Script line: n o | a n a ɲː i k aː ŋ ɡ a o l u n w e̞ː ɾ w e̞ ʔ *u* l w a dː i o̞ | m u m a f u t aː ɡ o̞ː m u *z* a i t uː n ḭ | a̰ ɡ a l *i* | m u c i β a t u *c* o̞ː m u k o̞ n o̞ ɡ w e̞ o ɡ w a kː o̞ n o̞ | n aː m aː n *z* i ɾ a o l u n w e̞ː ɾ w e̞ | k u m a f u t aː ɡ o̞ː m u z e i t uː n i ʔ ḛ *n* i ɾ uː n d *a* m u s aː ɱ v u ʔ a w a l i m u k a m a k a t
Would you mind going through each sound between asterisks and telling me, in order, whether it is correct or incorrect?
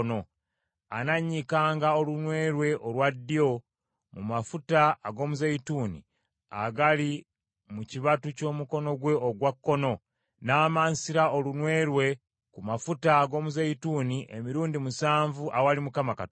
incorrect, correct, correct, correct, incorrect, incorrect, incorrect

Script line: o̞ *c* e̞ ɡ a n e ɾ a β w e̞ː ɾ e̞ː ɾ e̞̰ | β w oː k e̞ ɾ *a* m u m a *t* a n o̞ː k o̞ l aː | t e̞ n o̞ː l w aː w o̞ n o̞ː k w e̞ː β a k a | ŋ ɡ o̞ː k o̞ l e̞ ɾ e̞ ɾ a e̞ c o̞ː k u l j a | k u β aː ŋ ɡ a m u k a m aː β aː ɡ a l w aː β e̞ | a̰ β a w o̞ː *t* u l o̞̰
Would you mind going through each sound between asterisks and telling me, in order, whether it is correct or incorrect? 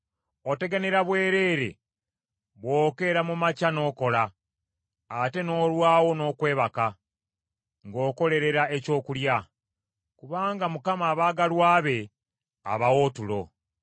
incorrect, correct, incorrect, correct

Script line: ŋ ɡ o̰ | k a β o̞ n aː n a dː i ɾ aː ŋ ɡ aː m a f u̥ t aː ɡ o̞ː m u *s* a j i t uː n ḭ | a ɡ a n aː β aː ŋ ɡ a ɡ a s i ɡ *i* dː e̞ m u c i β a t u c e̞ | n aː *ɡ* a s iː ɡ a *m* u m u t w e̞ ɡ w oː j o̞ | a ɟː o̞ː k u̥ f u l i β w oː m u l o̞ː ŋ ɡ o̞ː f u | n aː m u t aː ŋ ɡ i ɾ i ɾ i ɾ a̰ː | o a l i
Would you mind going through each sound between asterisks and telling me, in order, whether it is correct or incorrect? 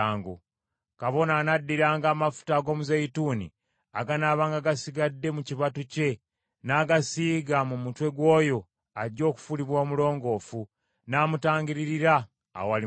incorrect, incorrect, correct, correct

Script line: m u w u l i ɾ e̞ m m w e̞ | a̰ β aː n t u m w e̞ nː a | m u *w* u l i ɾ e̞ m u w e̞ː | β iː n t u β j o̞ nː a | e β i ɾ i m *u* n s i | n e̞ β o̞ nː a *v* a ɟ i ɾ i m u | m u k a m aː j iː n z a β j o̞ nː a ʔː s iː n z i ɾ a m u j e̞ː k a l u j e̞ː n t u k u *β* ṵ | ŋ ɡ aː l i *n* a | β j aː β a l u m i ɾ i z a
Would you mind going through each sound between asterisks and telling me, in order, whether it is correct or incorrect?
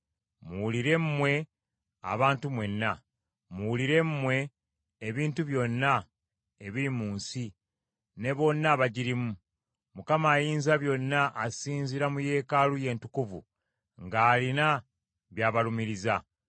correct, incorrect, incorrect, incorrect, correct

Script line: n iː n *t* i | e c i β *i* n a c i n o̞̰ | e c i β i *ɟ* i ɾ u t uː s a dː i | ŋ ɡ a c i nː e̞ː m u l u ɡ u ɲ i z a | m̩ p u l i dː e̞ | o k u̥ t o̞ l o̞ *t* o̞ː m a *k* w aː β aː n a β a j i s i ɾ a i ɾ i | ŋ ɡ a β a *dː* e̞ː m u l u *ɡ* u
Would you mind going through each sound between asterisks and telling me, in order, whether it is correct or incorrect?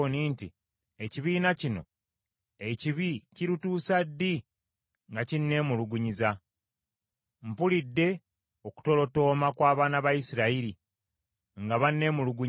correct, incorrect, incorrect, correct, correct, incorrect, correct

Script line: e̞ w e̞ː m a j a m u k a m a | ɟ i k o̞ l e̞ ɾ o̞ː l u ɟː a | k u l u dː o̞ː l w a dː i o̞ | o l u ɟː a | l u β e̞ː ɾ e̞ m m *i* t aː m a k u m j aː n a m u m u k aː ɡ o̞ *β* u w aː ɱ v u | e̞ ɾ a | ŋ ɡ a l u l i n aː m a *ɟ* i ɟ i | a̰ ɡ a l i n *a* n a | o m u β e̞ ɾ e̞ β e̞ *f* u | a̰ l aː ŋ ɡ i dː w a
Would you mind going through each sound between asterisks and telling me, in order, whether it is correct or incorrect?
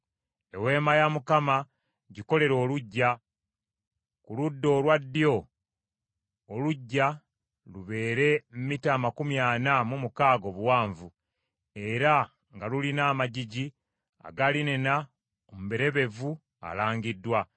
correct, correct, correct, incorrect, incorrect

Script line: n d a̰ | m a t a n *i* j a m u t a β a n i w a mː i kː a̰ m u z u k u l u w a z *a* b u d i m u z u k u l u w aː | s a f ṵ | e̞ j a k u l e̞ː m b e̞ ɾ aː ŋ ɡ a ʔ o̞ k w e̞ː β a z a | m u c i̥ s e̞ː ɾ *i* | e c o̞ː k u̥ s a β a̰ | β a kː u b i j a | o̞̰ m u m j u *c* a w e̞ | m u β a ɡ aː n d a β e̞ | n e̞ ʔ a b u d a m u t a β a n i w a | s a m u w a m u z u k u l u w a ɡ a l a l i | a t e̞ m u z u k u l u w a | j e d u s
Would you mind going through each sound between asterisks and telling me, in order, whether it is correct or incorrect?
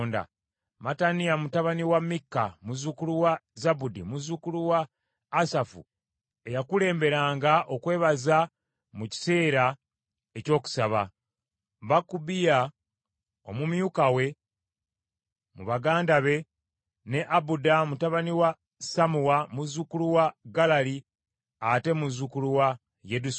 correct, correct, incorrect, incorrect

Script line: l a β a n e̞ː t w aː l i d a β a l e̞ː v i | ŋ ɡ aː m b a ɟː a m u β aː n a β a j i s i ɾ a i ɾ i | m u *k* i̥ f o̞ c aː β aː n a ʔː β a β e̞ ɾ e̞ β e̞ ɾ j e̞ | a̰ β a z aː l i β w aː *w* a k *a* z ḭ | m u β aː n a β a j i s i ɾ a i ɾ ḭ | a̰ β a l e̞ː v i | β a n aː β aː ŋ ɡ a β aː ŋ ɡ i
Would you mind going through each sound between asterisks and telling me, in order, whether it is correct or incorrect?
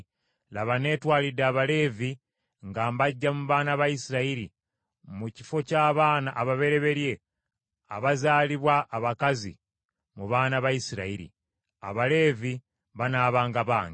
incorrect, incorrect, correct

